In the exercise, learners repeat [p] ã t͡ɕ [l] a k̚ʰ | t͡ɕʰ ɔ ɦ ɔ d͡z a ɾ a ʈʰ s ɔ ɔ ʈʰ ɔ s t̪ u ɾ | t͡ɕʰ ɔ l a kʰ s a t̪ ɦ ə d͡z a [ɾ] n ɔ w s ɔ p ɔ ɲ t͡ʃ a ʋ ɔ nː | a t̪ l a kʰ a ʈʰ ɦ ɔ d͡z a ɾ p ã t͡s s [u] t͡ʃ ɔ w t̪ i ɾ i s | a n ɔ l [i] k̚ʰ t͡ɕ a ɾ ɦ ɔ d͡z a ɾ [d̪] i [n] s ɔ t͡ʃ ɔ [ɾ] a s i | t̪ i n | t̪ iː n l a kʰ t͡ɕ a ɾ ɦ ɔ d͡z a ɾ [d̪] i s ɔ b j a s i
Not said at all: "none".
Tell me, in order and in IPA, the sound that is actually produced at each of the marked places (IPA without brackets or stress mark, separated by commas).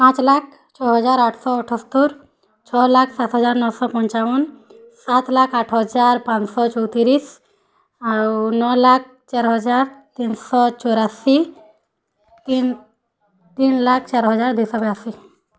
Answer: p, l, ɾ, ɔ, a, t̪, n, ɾ, d̪